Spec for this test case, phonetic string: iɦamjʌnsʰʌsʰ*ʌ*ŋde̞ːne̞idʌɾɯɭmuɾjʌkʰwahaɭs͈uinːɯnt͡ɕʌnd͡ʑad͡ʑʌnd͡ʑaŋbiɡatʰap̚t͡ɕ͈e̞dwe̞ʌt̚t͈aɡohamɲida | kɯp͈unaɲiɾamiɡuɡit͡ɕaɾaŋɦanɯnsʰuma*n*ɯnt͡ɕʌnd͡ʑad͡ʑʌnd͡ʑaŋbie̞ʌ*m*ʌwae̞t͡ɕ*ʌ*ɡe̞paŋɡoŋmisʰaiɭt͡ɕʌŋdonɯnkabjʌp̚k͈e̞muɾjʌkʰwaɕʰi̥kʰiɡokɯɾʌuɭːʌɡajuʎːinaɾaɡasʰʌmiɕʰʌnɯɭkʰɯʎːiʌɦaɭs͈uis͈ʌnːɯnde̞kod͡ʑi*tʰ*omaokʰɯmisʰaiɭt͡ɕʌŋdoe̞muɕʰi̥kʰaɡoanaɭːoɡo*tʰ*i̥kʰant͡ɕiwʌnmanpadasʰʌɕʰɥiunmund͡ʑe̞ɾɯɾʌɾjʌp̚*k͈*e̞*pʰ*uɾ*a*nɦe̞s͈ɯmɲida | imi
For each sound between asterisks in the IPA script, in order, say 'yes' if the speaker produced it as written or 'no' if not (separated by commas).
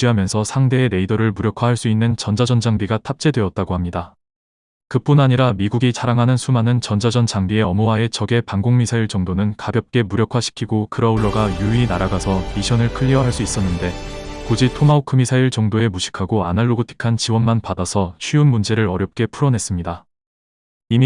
no, yes, yes, yes, yes, yes, yes, yes, no